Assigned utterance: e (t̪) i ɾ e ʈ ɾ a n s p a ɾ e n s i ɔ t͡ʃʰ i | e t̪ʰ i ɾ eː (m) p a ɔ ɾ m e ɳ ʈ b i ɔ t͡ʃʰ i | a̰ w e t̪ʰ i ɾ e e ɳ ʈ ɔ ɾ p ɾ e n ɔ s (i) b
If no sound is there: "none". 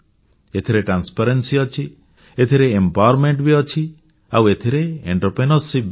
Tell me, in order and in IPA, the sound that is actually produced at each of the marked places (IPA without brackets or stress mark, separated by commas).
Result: t̪ʰ, m, i